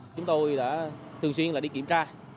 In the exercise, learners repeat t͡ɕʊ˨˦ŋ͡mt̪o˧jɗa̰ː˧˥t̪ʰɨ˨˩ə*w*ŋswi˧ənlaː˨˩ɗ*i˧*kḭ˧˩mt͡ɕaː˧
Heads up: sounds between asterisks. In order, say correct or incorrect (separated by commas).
incorrect, correct